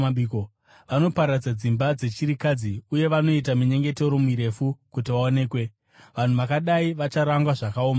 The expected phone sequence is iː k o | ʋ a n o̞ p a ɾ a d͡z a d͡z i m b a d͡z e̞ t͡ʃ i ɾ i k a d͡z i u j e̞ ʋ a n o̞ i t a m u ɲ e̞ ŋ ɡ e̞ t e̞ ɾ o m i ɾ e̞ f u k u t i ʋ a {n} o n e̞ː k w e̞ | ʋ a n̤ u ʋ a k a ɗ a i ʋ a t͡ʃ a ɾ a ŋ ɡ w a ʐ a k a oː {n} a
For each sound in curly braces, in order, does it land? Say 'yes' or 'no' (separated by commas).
no, no